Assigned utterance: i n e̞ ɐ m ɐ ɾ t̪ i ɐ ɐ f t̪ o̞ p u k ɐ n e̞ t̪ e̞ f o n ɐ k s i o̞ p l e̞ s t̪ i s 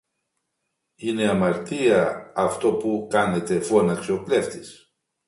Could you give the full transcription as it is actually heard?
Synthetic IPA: i n e̞ ɐ m ɐ ɾ t̪ i ɐ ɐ f t̪ o̞ p u k ɐ n e̞ t̪ e̞ f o n ɐ k s i o̞ p l e̞ f t̪ i s